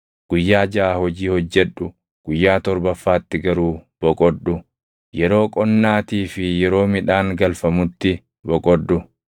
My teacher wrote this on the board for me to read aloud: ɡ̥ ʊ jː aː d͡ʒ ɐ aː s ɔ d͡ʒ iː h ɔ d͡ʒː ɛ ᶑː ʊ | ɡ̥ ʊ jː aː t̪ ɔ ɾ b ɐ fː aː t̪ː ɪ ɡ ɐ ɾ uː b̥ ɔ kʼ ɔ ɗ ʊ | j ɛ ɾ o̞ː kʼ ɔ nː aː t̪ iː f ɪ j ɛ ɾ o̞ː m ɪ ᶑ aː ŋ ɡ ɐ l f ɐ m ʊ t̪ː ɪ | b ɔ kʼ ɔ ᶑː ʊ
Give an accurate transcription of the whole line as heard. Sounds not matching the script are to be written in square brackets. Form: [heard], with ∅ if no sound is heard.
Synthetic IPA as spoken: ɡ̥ ʊ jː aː d͡ʒ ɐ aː [h] ɔ d͡ʒ iː h ɔ d͡ʒː ɛ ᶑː ʊ | ɡ̥ ʊ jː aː t̪ ɔ ɾ b ɐ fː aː t̪ː ɪ ɡ ɐ ɾ uː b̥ ɔ kʼ ɔ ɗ ʊ | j ɛ ɾ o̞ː kʼ ɔ nː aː t̪ iː f ɪ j ɛ ɾ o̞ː m ɪ ᶑ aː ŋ ɡ ɐ l f ɐ m ʊ t̪ː ɪ | b ɔ kʼ ɔ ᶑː ʊ